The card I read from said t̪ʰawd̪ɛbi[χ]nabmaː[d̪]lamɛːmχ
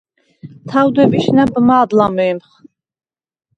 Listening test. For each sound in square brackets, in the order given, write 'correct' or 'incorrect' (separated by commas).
incorrect, correct